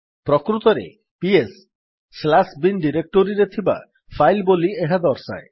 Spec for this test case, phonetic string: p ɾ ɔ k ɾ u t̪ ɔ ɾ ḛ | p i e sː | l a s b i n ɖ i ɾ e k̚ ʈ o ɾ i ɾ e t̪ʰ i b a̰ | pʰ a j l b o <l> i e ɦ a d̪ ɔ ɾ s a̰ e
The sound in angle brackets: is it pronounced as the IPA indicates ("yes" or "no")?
yes